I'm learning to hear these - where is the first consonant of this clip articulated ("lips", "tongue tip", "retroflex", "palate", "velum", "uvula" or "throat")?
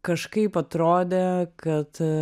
velum